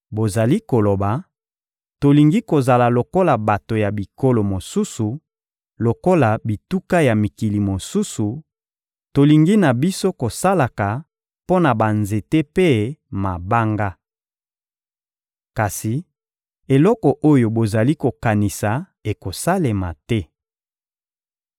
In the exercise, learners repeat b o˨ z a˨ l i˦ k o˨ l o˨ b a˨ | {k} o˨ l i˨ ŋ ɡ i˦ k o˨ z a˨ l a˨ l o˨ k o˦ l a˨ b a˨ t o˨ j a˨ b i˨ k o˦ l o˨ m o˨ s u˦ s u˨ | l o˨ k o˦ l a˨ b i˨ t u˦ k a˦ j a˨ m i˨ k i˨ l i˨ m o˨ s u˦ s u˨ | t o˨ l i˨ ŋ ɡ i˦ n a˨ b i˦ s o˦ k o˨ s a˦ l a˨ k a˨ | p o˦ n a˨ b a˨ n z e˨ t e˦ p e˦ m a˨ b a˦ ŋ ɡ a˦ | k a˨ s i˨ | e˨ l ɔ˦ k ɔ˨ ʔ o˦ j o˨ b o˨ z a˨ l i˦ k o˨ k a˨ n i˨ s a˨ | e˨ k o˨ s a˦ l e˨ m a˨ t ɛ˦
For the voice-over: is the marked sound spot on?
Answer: no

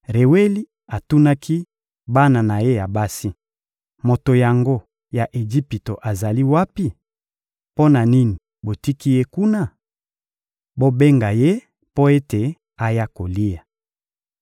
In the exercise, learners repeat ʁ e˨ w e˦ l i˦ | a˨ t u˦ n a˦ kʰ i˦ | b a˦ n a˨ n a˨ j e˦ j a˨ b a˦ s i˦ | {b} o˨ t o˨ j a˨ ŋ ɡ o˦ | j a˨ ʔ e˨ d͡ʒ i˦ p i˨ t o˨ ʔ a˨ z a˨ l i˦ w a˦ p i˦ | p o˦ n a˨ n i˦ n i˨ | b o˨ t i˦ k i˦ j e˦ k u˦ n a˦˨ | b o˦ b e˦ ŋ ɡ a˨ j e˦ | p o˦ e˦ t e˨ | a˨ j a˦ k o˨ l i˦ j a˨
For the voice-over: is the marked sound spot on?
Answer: no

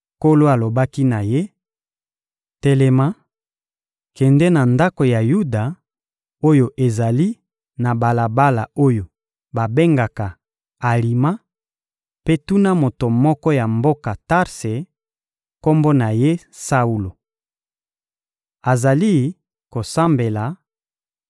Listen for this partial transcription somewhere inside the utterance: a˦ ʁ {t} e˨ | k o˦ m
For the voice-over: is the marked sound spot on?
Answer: no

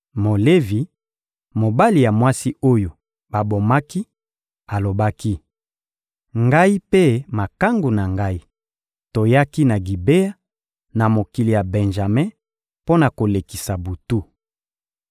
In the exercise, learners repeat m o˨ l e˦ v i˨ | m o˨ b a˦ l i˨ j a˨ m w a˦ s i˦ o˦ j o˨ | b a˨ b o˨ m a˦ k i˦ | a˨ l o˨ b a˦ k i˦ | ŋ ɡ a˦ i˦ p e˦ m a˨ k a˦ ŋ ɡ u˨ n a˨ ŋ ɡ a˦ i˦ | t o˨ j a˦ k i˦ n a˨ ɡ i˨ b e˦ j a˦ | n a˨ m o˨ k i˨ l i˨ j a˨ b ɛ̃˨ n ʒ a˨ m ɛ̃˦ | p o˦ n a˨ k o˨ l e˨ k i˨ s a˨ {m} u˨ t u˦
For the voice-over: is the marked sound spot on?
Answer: no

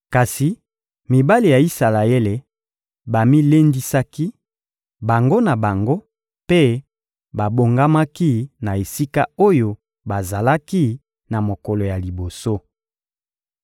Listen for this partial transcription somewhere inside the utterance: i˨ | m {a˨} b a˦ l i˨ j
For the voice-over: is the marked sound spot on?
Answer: no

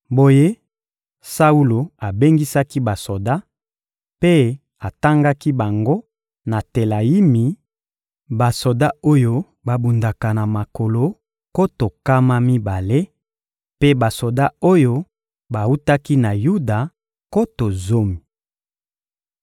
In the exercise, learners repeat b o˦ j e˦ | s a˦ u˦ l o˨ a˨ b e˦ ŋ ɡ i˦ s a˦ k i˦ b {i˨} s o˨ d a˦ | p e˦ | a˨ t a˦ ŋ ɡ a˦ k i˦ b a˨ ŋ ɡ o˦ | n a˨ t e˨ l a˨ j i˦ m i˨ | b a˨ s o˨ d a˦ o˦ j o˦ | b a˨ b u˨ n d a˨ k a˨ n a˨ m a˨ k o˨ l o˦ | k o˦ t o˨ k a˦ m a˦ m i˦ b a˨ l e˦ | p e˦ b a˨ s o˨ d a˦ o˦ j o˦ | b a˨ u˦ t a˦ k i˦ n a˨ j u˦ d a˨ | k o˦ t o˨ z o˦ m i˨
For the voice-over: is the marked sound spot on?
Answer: no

